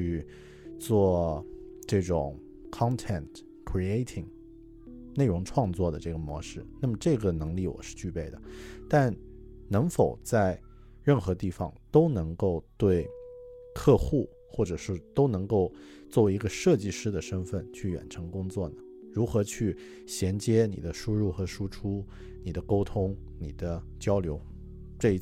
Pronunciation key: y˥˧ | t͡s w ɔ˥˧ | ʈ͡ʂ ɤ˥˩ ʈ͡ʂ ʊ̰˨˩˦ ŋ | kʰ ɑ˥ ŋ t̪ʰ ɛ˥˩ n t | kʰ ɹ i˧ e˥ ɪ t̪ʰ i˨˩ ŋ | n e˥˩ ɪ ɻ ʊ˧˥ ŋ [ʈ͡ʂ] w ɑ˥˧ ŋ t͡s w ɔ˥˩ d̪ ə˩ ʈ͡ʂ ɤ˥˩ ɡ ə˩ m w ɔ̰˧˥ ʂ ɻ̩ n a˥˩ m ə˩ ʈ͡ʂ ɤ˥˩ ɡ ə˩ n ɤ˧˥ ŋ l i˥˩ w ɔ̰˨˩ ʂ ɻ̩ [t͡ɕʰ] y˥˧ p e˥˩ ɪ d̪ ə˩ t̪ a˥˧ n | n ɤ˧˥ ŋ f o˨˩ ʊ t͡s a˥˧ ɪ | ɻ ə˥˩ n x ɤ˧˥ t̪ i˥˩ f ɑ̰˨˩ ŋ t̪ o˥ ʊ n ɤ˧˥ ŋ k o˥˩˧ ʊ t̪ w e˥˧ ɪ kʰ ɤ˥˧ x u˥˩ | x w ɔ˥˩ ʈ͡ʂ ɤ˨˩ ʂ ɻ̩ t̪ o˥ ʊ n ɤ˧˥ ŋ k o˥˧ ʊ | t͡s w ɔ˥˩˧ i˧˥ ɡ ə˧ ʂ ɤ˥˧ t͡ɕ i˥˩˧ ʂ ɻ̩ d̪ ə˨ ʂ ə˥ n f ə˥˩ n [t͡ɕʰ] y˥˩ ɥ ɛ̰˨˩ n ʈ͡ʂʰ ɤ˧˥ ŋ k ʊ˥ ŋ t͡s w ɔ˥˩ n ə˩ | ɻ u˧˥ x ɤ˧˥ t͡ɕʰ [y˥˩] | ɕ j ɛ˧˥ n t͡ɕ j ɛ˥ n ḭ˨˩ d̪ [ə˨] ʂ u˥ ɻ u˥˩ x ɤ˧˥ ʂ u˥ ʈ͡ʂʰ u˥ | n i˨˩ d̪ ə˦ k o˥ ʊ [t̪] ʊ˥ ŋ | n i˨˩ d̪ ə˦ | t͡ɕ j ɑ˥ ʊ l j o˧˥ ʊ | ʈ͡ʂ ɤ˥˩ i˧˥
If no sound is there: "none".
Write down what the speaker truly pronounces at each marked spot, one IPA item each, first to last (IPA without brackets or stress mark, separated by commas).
ʈ͡ʂʰ, t͡ɕ, t͡ɕʰ, y˥˩, ə˦, t̪ʰ